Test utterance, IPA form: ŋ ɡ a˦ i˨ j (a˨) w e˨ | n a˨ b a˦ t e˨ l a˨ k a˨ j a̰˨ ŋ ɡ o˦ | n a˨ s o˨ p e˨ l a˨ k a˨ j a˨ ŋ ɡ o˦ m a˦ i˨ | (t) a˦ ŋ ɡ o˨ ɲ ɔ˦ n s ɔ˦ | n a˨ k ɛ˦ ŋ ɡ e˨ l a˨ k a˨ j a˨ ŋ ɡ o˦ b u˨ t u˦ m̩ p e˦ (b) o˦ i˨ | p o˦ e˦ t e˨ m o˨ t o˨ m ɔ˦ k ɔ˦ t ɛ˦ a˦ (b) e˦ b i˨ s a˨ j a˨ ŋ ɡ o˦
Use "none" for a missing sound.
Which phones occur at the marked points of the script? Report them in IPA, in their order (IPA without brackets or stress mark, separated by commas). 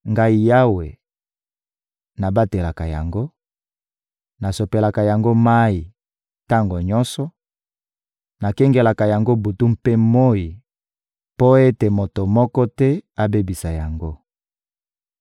a˦, t, m, b